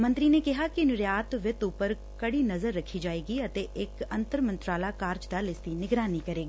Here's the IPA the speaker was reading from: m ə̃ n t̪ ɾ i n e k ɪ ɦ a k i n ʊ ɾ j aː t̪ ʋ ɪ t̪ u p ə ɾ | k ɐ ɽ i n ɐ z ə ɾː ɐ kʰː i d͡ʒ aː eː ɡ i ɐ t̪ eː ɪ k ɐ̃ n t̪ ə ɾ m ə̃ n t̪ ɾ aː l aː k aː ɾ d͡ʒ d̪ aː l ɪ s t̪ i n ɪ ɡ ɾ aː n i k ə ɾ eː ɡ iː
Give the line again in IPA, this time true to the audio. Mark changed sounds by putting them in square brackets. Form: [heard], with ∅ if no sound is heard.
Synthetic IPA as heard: m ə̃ n t̪ ɾ i n e k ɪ ɦ a k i n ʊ ɾ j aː t̪ ʋ ɪ t̪ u p ə ɾ | k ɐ ɽ i n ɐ z ə ɾː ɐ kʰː i d͡ʒ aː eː ɡ i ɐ t̪ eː ɪ k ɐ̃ n t̪ ə ɾ m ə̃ n t̪ ɾ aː l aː k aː ɾ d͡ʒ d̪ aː l ɪ s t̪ i n ɪ ɡ ɾ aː n i k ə ɾ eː ɡ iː